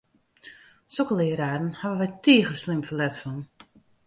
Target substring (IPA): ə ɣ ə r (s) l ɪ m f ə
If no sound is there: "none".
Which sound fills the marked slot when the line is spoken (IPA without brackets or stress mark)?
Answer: s